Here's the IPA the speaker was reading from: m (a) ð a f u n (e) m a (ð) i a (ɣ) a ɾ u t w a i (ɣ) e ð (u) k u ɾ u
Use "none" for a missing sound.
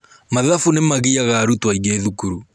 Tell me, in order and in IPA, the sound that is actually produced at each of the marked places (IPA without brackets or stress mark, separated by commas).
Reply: a, e, ɣ, ɣ, ɣ, u